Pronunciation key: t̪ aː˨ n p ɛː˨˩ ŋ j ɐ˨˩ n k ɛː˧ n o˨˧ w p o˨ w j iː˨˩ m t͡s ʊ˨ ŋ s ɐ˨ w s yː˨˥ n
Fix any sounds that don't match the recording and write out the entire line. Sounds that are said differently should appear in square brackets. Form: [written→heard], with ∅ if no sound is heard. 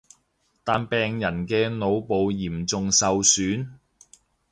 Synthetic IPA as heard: t̪ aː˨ n p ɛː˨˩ ŋ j ɐ˨˩ n k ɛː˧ n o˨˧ w p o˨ w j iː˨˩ m t͡s ʊ˨ ŋ s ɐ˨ w s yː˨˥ n